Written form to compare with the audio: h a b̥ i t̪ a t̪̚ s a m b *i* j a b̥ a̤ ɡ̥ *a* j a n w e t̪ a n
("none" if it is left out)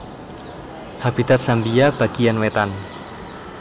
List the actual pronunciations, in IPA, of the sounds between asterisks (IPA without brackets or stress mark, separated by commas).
i, i